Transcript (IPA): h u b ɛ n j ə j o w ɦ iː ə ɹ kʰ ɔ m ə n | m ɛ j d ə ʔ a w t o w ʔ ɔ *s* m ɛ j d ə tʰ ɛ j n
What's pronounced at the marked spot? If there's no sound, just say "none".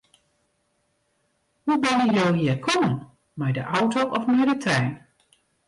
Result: f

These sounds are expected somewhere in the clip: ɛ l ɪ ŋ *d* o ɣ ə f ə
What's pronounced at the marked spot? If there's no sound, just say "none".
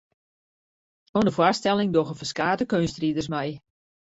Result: d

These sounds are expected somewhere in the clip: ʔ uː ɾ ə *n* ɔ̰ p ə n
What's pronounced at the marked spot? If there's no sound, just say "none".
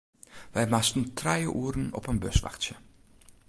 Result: n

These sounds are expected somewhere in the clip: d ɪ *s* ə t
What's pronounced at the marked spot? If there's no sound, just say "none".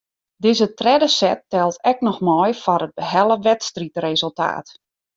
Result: z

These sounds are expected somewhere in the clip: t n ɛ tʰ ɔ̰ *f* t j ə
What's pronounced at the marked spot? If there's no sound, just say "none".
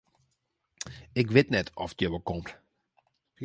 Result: f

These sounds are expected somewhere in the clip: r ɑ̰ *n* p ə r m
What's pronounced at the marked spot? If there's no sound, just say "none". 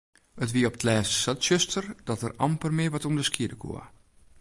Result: m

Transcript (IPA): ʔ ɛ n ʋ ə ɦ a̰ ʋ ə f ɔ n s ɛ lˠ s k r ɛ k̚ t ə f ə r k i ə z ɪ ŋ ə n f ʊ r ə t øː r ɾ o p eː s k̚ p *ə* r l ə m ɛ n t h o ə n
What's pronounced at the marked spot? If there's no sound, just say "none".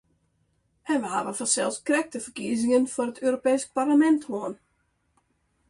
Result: a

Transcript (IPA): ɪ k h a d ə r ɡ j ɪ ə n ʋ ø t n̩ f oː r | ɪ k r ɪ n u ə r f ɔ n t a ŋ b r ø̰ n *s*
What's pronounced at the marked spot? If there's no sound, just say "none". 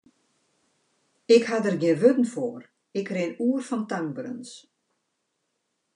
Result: s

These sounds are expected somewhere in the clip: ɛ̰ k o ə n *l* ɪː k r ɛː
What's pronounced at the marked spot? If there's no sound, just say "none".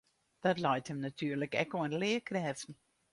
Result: l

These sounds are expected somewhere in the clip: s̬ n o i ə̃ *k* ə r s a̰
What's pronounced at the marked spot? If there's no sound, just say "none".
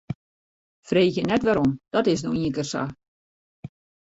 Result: k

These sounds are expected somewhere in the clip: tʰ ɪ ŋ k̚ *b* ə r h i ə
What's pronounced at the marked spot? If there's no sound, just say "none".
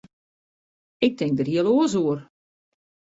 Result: d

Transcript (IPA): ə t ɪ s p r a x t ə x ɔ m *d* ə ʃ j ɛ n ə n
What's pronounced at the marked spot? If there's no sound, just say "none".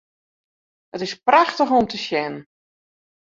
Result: t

